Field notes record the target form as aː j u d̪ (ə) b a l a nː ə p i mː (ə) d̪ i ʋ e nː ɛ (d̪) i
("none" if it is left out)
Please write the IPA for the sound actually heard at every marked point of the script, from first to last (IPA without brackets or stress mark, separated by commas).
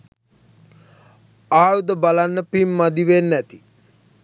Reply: ə, a, t̪